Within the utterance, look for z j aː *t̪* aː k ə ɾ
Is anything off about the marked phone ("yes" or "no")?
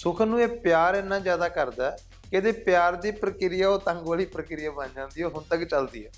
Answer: yes